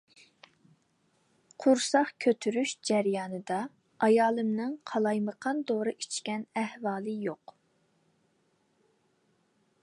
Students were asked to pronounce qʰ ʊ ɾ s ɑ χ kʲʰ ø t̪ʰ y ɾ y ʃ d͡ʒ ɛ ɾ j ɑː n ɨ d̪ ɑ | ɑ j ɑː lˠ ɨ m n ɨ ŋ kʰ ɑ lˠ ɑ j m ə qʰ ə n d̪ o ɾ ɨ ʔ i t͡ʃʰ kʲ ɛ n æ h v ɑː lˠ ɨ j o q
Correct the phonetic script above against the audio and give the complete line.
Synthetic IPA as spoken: qʰ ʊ ɾ s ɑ χ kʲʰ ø t̪ʰ y ɾ y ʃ d͡ʒ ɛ ɾ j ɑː n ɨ d̪ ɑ | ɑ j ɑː lˠ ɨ m n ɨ ŋ qʰ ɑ lˠ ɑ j m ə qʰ ɑ n d̪ o ɾ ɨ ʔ i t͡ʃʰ kʲ ɛ n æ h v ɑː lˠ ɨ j o q